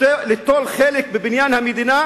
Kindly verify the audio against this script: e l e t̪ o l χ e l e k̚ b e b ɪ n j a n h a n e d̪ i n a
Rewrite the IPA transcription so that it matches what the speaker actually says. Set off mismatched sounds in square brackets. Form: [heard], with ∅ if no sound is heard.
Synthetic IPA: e l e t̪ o l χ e l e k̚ b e b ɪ n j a n h a [m] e d̪ i n a